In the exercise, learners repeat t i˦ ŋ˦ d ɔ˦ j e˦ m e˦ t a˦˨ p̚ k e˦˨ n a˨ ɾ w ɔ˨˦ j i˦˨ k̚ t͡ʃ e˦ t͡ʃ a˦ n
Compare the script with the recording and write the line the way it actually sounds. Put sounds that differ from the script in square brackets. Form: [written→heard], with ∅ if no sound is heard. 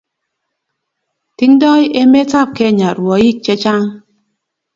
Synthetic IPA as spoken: t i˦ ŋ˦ d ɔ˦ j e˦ m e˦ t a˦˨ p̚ k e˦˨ [n→ɲ] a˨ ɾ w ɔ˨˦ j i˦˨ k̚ t͡ʃ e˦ t͡ʃ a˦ [n→ŋ]